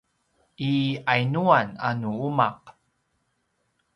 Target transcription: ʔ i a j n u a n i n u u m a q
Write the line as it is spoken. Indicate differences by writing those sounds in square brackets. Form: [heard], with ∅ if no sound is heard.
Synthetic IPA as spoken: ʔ i a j n u a n [a] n u u m a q